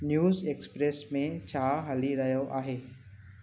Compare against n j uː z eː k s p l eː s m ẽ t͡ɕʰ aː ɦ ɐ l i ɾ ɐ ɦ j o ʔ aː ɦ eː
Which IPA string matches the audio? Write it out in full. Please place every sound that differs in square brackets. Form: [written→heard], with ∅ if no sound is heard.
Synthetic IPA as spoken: n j uː z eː k s p [l→ɾ] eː s m ẽ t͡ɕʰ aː ɦ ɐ l i ɾ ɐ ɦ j o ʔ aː ɦ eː